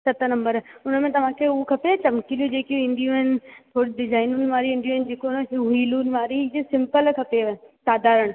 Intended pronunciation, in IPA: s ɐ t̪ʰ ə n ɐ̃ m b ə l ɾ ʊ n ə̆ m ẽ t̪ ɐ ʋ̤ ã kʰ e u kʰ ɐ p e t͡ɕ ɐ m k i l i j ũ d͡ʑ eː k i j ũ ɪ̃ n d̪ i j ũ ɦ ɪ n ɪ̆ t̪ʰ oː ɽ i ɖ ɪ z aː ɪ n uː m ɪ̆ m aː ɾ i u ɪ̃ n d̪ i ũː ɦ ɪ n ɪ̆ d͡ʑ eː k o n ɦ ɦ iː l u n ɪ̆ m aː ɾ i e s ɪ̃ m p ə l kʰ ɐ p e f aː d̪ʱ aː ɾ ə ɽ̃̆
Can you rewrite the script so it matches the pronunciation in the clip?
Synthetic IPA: s ɐ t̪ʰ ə n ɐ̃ m b ə ɾ ʊ n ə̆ m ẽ t̪ ɐ ʋ̤ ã kʰ e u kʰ ɐ p e t͡ɕ ɐ m k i l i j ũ d͡ʑ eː k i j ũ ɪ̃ n d̪ i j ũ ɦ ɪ n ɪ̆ t̪ʰ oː ɽ i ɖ ɪ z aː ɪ n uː n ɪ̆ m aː ɾ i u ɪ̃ n d̪ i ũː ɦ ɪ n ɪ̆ d͡ʑ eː k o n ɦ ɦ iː l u n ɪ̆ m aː ɾ i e s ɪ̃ m p ə l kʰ ɐ p e s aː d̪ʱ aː ɾ ə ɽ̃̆